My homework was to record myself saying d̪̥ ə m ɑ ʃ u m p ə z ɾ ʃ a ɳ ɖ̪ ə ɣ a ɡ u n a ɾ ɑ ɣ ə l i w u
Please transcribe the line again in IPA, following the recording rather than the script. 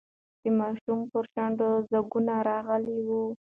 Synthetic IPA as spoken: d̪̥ ə m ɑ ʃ u m p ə ɾ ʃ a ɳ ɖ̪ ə z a ɡ u n a ɾ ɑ ɣ ə l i w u